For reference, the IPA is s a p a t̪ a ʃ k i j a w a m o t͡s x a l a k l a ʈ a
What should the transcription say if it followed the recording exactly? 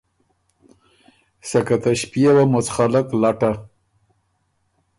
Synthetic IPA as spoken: s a k a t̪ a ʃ p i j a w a m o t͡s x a l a k l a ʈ a